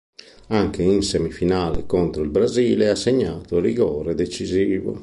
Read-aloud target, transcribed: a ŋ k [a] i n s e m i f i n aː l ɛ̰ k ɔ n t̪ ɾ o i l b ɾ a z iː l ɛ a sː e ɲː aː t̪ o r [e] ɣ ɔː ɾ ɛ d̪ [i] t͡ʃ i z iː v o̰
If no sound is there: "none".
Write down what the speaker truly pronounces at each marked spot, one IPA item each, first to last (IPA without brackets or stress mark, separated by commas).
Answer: e, i, e